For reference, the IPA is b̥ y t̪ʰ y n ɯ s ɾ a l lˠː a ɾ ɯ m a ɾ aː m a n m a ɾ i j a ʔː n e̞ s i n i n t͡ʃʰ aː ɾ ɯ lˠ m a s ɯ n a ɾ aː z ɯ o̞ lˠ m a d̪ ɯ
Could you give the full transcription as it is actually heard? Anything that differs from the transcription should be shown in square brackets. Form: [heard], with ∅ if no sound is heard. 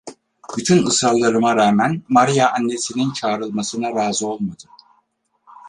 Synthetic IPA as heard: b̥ y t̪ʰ y n ɯ s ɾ a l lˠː a ɾ ɯ m a ɾ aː m [æ] n m a ɾ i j a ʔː [nː] e̞ s i n i n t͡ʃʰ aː ɾ ɯ lˠ m a s ɯ n a ɾ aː z ɯ o̞ lˠ m a d̪ ɯ